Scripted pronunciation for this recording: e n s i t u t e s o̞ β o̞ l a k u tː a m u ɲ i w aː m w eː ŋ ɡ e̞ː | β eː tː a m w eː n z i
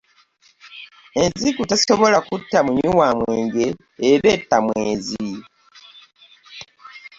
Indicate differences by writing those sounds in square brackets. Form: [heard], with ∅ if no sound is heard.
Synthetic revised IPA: e n [z] i [k] u t [a] s o̞ β o̞ l a k u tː a m u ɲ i w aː m w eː ŋ ɡ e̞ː | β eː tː a m w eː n z i